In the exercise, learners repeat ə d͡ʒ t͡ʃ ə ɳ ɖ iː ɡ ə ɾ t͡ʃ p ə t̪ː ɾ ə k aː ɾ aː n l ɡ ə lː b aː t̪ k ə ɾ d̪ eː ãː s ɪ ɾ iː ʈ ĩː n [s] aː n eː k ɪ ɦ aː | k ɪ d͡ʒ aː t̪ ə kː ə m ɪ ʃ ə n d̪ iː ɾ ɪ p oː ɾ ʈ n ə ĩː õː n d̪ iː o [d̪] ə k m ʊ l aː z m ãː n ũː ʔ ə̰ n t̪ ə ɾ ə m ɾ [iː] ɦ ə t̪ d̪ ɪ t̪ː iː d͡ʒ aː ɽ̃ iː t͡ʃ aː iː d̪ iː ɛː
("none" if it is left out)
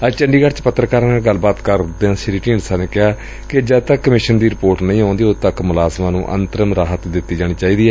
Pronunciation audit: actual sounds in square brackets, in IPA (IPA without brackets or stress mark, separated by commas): s, t̪, aː